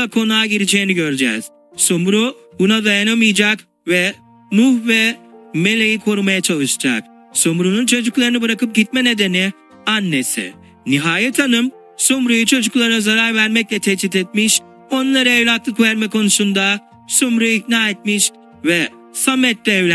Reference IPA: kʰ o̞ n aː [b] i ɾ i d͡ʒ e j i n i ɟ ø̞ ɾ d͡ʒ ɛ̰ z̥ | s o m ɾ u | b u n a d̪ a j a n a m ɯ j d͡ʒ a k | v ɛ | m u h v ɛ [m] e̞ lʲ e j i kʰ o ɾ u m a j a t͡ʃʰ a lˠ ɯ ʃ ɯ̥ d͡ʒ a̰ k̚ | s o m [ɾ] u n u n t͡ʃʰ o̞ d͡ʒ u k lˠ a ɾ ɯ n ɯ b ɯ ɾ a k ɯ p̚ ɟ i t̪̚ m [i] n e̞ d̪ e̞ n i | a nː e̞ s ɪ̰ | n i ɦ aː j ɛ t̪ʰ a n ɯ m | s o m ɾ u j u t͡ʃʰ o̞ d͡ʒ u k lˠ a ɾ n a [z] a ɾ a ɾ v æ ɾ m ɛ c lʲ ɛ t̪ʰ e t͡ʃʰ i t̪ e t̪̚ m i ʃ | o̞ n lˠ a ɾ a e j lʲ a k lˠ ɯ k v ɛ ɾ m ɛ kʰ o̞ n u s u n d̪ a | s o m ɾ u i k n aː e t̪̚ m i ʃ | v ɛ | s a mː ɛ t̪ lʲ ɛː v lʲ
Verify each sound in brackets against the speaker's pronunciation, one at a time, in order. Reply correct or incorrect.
incorrect, correct, correct, incorrect, correct

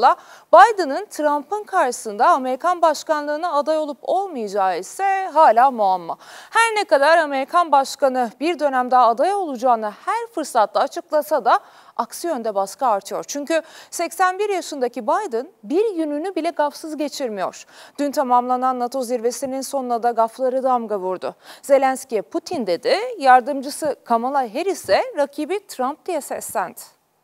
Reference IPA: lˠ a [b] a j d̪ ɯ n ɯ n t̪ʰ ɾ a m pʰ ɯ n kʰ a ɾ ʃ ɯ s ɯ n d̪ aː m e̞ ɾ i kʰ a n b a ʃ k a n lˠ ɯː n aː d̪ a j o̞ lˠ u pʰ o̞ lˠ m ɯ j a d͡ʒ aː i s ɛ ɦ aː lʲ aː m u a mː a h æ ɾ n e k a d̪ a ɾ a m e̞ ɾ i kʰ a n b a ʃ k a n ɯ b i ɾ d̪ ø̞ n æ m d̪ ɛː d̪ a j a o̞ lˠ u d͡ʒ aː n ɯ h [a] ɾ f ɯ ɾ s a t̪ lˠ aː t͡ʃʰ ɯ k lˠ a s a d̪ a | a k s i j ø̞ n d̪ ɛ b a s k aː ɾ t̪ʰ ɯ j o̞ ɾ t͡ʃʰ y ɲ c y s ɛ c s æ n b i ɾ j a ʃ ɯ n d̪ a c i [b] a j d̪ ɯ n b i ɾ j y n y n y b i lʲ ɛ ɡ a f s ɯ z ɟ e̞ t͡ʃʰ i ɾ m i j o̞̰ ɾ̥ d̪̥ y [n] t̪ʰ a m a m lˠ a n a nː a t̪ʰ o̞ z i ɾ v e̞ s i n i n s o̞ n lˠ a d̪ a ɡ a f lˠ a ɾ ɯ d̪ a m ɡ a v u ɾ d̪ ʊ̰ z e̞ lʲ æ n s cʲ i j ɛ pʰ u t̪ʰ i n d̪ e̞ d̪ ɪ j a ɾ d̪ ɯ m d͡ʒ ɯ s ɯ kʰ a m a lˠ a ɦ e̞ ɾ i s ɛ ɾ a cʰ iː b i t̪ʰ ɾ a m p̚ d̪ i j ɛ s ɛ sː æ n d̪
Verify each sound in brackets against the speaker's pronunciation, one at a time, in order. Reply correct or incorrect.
correct, incorrect, correct, correct

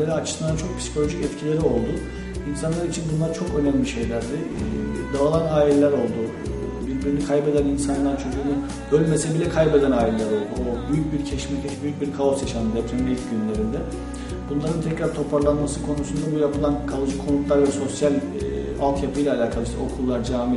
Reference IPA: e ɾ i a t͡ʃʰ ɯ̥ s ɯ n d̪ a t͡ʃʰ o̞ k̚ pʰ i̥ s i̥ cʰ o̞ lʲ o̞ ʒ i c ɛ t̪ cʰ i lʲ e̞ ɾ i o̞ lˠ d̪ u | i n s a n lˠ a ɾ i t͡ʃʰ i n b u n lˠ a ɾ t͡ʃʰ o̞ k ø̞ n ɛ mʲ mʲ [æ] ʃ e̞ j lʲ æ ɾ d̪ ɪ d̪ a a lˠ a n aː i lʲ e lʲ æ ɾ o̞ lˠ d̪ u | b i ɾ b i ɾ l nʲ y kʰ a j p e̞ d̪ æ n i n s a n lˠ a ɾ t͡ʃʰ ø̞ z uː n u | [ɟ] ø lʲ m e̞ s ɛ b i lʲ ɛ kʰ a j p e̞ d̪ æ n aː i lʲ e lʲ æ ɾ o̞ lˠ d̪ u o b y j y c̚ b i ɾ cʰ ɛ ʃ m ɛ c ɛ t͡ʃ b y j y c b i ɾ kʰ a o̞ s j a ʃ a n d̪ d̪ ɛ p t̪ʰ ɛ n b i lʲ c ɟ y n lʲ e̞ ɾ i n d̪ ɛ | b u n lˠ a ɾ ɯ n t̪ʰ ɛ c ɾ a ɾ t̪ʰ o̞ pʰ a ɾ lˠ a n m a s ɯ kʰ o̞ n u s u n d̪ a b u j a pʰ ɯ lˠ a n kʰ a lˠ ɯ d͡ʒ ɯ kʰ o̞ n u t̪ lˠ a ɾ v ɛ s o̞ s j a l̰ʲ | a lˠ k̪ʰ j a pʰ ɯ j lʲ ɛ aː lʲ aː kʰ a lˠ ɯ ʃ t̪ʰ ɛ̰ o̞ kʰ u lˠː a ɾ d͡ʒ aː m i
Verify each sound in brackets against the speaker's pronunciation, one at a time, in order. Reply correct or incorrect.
incorrect, incorrect

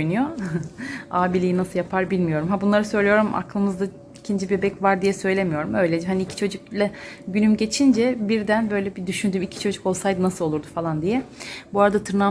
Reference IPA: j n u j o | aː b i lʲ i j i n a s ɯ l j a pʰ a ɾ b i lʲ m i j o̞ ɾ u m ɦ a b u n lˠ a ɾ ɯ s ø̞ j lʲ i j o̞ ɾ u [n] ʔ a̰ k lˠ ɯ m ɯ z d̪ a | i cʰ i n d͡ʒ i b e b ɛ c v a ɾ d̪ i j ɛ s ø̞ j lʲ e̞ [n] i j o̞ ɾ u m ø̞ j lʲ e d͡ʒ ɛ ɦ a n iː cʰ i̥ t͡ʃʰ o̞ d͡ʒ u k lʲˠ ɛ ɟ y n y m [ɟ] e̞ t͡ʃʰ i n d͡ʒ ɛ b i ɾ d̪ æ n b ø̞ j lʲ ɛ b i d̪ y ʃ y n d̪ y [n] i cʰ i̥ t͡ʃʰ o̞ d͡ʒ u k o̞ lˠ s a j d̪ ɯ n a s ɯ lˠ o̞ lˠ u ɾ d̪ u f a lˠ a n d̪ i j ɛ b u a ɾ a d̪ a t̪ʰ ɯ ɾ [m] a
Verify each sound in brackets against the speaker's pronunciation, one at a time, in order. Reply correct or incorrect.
incorrect, incorrect, correct, incorrect, incorrect

